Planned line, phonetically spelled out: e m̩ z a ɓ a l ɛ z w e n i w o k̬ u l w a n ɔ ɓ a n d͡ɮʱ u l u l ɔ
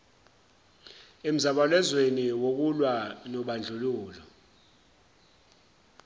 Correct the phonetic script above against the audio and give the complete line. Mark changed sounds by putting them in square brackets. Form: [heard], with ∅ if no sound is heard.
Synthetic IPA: e m̩ z a ɓ a l ɛ z w e n i w o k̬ u l w a n ɔ ɓ a n d͡ɮʱ u l [uː] l ɔ